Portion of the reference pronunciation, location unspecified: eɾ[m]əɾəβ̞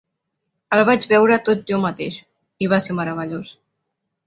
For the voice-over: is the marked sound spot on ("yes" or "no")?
yes